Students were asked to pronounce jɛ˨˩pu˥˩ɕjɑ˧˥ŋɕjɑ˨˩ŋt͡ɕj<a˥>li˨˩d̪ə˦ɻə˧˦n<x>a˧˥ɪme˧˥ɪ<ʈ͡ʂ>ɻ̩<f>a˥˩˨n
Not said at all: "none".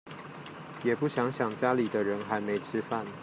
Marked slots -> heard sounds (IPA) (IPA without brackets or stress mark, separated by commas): a˥, x, ʈ͡ʂʰ, f